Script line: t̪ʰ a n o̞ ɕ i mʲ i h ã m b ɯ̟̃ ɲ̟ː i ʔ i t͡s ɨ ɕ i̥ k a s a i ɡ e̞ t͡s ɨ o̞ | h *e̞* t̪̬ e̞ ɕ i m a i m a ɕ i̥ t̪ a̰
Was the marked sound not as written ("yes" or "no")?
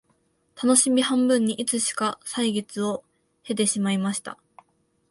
no